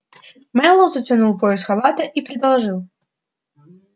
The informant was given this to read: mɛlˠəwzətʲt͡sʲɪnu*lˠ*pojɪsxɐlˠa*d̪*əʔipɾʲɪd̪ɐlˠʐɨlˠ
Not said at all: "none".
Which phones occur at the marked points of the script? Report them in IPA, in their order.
lˠ, t̪

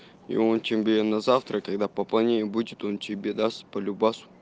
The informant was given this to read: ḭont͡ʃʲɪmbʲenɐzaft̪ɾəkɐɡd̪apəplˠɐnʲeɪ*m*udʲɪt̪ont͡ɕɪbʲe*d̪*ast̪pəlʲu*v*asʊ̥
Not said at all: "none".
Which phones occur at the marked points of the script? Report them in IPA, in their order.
b, d̪, b

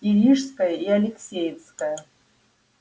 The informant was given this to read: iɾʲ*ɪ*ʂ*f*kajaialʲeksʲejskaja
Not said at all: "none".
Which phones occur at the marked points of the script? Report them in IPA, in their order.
i, s

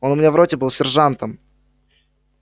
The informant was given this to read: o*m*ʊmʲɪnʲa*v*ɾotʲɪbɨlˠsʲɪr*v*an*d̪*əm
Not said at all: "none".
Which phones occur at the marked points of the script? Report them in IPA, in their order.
n, v, ʐ, t̪

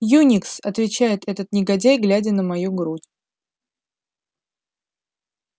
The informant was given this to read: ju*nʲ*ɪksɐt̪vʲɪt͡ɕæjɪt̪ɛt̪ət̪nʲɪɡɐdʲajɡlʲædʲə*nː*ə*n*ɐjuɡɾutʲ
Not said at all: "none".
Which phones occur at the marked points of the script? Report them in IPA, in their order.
nʲ, n, m

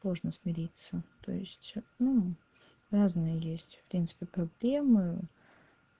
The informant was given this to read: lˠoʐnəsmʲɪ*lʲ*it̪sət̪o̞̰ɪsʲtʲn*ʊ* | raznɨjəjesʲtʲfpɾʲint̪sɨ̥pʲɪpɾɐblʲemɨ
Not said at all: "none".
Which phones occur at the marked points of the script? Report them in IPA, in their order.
ɾʲ, u

